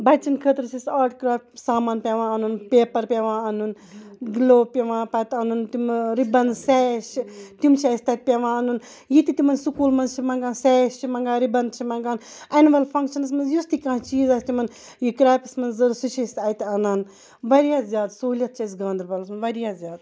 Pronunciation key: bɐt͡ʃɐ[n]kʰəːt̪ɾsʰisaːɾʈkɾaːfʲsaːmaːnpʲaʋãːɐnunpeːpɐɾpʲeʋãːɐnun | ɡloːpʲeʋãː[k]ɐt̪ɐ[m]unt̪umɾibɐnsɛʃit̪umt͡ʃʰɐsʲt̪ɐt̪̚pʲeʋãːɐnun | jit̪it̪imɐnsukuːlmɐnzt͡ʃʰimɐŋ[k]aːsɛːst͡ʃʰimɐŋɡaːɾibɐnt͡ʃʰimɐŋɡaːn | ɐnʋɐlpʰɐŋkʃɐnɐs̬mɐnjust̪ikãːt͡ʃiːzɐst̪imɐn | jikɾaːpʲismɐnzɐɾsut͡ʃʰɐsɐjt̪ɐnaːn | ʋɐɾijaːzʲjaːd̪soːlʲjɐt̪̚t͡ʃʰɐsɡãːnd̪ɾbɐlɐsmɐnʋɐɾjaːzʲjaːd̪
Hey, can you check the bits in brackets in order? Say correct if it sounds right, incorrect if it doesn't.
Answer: correct, incorrect: p, incorrect: n, incorrect: ɡ

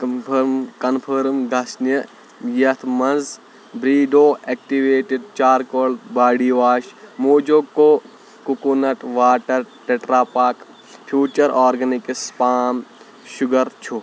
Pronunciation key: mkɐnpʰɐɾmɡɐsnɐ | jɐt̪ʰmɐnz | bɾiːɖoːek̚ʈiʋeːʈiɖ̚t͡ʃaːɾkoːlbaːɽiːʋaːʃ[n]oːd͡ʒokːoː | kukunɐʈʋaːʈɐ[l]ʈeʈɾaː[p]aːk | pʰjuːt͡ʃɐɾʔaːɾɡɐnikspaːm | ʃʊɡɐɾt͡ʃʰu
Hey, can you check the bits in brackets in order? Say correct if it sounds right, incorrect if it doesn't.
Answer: incorrect: m, incorrect: ɾ, correct

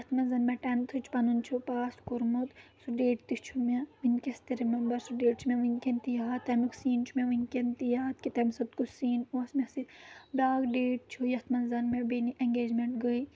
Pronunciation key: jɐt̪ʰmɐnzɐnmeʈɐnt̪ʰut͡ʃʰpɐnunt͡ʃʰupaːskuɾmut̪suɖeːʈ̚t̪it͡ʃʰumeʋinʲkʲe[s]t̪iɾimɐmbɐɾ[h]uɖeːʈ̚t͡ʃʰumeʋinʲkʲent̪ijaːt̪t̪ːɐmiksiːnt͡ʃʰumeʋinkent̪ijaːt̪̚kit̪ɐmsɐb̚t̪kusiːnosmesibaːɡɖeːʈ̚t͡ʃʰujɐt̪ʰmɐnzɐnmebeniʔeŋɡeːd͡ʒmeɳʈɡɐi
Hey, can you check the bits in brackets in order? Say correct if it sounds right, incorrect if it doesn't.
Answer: correct, incorrect: s

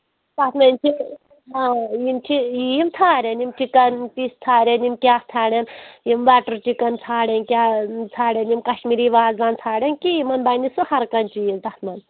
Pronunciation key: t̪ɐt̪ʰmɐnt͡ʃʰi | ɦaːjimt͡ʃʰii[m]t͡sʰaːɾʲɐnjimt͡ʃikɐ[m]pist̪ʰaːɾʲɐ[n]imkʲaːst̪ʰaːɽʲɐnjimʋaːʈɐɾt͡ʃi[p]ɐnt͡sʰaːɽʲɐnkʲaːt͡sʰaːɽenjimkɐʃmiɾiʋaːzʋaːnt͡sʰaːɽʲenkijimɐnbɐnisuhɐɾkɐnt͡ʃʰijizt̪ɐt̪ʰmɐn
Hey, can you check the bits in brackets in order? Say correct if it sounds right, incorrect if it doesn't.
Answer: correct, incorrect: n, correct, incorrect: k

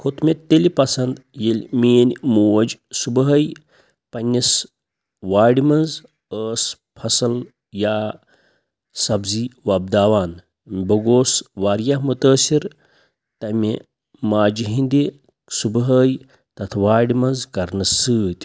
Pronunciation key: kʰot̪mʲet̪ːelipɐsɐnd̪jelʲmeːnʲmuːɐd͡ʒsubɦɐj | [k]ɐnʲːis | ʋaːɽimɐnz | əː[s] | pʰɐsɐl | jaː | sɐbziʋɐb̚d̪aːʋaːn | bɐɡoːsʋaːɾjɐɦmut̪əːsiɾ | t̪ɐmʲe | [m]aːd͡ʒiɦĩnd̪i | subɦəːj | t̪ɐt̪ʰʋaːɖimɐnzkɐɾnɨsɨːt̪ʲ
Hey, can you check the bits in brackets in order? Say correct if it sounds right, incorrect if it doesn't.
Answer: incorrect: p, correct, correct

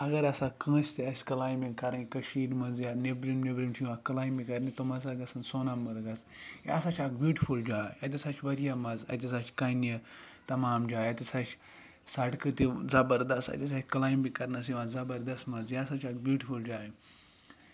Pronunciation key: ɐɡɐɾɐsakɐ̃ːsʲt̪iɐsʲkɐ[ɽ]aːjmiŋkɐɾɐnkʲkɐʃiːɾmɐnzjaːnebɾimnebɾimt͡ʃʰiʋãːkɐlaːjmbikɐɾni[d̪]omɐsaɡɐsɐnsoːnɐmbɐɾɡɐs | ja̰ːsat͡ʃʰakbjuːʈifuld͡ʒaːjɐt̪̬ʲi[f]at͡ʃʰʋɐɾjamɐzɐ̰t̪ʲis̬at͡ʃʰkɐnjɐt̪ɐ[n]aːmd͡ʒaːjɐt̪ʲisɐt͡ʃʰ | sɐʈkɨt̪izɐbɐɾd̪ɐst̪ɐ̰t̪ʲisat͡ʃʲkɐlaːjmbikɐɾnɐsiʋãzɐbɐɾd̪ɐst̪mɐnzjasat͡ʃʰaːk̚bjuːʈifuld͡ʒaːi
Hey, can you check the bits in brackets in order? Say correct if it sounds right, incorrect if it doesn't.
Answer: incorrect: l, incorrect: t̪, incorrect: s, incorrect: m

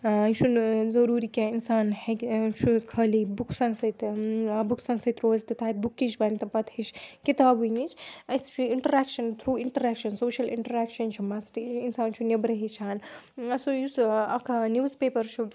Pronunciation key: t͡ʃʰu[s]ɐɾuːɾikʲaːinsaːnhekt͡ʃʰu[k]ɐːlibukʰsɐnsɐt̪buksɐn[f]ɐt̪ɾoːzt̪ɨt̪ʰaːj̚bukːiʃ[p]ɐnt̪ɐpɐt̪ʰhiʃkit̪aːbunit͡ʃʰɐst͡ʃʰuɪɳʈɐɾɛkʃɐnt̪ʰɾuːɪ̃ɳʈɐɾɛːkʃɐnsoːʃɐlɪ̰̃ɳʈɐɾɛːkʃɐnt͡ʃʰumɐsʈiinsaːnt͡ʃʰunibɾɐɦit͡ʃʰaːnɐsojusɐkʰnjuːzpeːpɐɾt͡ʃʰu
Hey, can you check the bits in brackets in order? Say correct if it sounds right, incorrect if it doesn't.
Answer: incorrect: z, incorrect: kʰ, incorrect: s, incorrect: b

